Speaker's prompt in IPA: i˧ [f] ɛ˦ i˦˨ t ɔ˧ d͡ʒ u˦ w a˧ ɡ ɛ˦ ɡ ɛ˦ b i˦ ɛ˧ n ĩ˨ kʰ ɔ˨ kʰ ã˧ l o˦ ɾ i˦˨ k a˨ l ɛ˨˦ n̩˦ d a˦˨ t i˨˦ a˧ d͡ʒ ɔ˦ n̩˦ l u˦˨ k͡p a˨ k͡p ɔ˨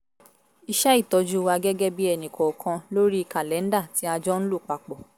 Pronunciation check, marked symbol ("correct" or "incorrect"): incorrect